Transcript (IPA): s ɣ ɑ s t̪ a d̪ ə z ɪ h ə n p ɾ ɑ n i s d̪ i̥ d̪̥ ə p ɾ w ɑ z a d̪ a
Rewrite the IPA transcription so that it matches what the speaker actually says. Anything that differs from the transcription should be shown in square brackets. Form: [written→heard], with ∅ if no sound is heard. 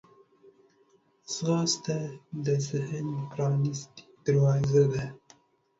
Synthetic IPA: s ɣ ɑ s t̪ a d̪ ə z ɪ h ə n p ɾ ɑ n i s [d̪→t̪] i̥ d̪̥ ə [p→∅] ɾ w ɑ z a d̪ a